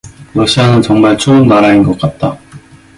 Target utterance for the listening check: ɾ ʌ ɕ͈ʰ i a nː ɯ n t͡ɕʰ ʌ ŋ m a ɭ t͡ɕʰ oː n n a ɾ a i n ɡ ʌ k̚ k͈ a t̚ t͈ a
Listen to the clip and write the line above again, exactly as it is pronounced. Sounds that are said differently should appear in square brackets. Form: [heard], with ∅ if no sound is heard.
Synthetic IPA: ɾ ʌ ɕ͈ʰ i a [n] ɯ n [t͡ɕ] ʌ ŋ m a ɭ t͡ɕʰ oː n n a ɾ a i n ɡ ʌ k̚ k͈ a t̚ t͈ a